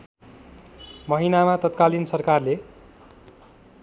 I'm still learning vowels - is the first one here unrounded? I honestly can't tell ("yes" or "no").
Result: yes